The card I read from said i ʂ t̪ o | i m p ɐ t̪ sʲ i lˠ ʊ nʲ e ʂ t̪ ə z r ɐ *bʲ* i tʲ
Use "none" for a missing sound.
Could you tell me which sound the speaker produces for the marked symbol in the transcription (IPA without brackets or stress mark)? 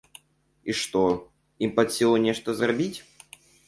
bʲ